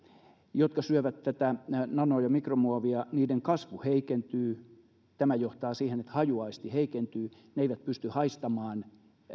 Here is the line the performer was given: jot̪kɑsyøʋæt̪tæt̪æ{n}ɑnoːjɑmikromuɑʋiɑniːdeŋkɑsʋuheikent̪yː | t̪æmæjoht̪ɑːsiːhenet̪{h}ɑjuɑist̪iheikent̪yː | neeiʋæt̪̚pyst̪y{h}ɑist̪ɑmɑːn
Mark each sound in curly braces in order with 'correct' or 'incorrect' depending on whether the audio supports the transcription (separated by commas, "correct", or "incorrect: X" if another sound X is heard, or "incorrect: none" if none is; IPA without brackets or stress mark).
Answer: correct, correct, correct